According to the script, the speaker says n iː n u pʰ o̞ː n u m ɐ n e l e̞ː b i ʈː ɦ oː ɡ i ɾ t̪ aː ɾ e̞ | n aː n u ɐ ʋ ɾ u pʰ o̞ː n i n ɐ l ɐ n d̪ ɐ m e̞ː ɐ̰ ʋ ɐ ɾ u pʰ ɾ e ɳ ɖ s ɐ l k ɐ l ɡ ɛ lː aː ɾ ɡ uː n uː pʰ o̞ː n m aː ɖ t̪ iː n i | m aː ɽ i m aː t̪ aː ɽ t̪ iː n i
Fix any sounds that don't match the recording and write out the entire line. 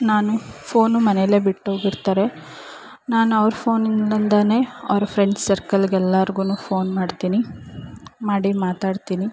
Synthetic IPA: n aː n u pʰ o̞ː n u m ɐ n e l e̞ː b i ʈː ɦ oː ɡ i ɾ t̪ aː ɾ e̞ | n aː n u ɐ ʋ ɾ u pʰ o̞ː n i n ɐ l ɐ n d̪ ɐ n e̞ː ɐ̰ ʋ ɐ ɾ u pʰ ɾ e ɳ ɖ s ɐ ɾ k ɐ l ɡ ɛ lː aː ɾ ɡ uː n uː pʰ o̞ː n m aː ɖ t̪ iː n i | m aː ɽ i m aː t̪ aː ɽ t̪ iː n i

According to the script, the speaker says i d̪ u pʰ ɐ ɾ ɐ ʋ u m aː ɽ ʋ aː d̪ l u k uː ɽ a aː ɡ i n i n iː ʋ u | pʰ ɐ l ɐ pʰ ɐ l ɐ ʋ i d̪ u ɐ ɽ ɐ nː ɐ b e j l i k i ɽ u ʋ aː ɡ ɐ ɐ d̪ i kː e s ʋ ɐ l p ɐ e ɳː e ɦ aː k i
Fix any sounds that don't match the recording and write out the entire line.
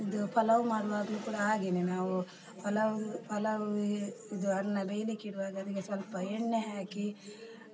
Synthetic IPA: i d̪ u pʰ ɐ l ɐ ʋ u m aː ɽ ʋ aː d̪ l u k uː ɽ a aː ɡ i n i n aː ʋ u | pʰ ɐ l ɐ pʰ ɐ l ɐ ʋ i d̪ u ɐ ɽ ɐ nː ɐ b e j l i k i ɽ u ʋ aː ɡ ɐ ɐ d̪ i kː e s ʋ ɐ l p ɐ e ɳː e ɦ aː k i

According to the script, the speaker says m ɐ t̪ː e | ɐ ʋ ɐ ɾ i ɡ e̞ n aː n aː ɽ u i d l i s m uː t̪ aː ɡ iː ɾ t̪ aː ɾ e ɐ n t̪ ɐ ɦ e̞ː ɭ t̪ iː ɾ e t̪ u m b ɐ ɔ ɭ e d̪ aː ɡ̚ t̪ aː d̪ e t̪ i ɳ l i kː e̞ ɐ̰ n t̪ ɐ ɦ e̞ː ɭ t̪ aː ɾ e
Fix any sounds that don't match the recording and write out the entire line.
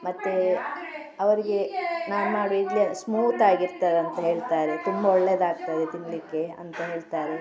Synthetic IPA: m ɐ t̪ː e | ɐ ʋ ɐ ɾ i ɡ e̞ n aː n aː ɽ u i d l i s m uː t̪ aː ɡ i ɾ t̪ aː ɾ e ɐ n t̪ ɐ ɦ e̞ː ɭ t̪ aː ɾ e t̪ u m b ɐ ɔ ɭː e d̪ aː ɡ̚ t̪ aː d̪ e t̪ i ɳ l i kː e̞ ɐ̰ n t̪ ɐ ɦ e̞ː ɭ t̪ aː ɾ e

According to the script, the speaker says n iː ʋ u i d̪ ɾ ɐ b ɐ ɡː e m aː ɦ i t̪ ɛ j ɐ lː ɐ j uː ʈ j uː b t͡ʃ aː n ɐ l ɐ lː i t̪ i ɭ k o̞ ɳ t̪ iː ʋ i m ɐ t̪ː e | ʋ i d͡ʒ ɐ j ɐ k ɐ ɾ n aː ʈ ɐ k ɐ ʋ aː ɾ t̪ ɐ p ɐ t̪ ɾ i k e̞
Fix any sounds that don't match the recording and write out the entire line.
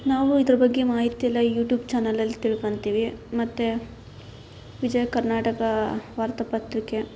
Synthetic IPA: n aː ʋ u i d̪ ɾ ɐ b ɐ ɡː e m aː ɦ i t̪ i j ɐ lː ɐ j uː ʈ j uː b t͡ʃ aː n ɐ l ɐ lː i t̪ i ɭ k o̞ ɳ t̪ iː ʋ i m ɐ t̪ː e | ʋ i d͡ʒ ɐ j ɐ k ɐ ɾ n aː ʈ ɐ k ɐ ʋ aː ɾ t̪ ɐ p ɐ t̪ ɾ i k e̞

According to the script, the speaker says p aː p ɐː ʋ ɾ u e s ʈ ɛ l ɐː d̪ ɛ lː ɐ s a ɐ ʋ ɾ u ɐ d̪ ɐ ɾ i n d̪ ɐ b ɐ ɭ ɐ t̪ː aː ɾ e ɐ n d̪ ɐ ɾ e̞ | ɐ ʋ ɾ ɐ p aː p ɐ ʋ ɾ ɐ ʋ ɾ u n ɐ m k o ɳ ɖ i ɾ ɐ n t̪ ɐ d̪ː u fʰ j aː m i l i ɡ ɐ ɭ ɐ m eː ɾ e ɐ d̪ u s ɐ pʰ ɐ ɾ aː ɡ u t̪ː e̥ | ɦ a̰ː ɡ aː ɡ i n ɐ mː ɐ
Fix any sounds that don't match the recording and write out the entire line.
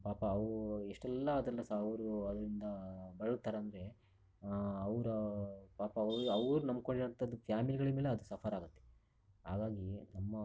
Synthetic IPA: p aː p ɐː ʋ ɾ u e ʂ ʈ ɛ lː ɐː d̪ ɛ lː ɐ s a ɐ ʋ ɾ u ɐ d̪ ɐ ɾ i n d̪ ɐ b ɐ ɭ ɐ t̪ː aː ɾ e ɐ n d̪ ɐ ɾ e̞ | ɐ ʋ ɾ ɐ p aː p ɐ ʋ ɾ ɐ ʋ ɾ u n ɐ m k o ɳ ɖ i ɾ ɐ n t̪ ɐ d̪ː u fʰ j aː m i l i ɡ ɐ ɭ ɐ m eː l e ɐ d̪ u s ɐ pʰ ɐ ɾ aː ɡ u t̪ː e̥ | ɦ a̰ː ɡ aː ɡ i n ɐ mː ɐ

